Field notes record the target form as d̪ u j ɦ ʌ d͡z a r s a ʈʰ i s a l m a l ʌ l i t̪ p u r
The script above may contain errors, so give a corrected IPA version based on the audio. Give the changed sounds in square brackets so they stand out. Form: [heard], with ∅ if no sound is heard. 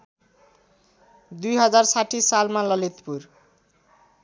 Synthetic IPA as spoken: d̪ u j ɦ ʌ d͡z a r s a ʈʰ i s a l m a l ʌ l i t̪ p u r